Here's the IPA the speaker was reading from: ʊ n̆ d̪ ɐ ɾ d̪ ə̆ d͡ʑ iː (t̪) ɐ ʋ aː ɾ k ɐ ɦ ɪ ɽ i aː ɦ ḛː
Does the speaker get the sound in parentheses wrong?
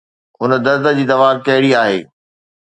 yes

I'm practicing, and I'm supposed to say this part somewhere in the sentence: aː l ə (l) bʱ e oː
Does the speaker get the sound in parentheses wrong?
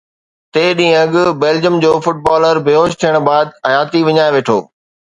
yes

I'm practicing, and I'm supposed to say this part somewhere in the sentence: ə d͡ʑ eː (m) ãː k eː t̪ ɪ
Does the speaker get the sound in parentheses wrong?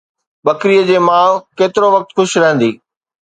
no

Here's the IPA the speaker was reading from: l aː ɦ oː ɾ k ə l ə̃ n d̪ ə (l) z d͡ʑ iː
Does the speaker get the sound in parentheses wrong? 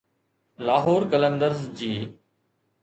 yes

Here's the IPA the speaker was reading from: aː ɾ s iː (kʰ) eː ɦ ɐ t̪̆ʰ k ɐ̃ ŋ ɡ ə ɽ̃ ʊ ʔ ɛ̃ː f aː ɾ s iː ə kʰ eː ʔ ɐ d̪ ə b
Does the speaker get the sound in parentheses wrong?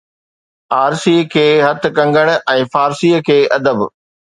no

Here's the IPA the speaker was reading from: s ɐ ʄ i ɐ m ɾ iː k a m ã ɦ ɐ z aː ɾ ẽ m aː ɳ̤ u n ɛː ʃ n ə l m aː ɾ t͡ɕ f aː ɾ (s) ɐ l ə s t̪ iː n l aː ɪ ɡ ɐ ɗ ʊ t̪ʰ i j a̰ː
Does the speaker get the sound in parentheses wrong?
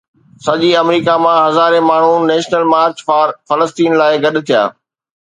yes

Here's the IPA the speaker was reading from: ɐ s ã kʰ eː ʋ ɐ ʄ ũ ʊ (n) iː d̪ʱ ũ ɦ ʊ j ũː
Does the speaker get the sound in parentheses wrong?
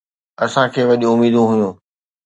yes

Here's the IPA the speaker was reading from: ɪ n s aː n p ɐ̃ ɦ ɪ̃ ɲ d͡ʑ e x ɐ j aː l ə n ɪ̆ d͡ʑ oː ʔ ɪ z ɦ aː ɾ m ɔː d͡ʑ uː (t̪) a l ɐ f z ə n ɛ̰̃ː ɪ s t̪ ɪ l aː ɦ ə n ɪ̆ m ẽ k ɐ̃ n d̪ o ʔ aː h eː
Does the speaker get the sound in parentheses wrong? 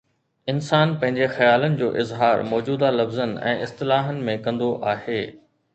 yes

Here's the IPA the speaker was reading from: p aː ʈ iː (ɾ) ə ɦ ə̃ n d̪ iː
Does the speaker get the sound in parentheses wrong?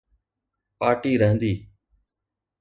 no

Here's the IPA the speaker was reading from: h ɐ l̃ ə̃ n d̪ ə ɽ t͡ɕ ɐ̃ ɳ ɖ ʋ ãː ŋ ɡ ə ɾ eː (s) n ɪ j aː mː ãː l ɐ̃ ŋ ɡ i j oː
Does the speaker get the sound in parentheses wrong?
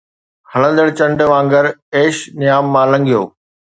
yes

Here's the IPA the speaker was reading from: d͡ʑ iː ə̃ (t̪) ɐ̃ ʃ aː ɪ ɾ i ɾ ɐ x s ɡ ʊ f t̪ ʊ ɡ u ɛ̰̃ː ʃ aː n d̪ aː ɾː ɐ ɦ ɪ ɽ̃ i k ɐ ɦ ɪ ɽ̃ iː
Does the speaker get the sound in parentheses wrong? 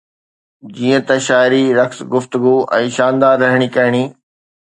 no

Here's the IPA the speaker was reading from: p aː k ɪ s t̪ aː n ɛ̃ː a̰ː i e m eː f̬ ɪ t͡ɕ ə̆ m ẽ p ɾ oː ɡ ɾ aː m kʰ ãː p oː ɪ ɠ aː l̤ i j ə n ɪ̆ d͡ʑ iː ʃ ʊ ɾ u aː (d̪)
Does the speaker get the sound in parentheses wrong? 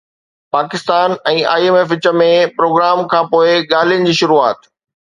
yes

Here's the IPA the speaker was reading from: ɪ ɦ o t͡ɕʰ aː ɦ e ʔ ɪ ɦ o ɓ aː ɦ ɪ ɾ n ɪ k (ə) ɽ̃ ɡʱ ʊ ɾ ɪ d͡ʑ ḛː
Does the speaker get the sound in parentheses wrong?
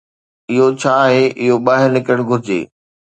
no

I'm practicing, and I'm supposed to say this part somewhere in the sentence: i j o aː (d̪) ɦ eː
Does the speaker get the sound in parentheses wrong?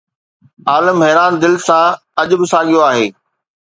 yes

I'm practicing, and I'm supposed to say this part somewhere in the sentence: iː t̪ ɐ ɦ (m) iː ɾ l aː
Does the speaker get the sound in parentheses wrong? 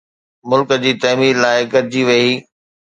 no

